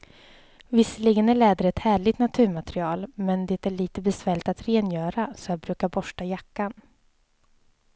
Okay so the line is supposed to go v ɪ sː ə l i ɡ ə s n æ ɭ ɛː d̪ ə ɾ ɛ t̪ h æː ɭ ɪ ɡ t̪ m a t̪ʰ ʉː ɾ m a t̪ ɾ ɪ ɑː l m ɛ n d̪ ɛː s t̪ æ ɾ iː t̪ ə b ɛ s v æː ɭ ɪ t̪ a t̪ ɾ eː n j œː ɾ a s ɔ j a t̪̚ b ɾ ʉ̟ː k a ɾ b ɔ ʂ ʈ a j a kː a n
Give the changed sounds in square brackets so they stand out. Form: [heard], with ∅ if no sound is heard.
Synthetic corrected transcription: v ɪ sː ə l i ɡ ə [∅] n æ ɭ ɛː d̪ ə ɾ ɛ t̪ h æː ɭ ɪ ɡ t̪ [n] a t̪ʰ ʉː ɾ m a t̪ ɾ ɪ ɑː l m ɛ n d̪ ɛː [∅] t̪ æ [ɭ] iː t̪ ə b ɛ s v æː ɭ ɪ t̪ a t̪ ɾ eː n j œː ɾ a s ɔ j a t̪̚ b ɾ ʉ̟ː k a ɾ b ɔ ʂ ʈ a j a kː a n